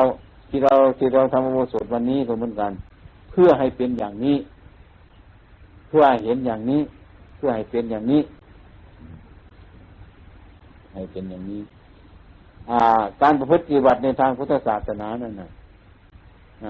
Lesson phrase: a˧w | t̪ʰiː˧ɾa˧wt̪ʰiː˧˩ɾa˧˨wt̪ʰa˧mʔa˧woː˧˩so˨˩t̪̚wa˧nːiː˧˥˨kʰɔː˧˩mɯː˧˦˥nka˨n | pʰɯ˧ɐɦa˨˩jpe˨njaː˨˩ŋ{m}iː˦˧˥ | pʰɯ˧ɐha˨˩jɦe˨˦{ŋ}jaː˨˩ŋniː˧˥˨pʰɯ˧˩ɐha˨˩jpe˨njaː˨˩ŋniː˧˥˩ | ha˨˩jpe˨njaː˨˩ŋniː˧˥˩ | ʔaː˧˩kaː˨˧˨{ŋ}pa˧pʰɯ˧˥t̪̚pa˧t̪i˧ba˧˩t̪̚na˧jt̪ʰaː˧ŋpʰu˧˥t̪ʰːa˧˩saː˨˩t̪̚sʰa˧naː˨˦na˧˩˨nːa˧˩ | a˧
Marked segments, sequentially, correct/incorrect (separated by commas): incorrect, incorrect, incorrect